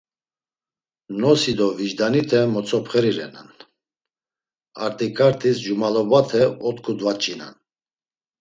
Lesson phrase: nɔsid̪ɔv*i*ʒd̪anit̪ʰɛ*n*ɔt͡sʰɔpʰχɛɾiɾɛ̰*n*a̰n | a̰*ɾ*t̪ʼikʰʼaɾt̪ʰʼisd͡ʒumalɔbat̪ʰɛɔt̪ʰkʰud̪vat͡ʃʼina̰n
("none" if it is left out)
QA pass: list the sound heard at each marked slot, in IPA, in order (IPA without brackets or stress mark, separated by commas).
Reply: i, m, n, ɾ